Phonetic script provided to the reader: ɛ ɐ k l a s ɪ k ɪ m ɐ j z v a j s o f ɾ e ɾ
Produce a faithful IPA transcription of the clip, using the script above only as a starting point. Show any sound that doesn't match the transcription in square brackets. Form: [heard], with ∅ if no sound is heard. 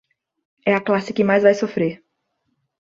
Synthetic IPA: ɛ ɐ k l a s ɪ k ɪ m [a] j z v a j s o f ɾ e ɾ